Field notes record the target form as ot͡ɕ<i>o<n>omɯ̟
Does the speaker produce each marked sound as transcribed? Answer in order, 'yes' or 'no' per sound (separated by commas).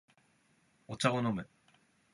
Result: no, yes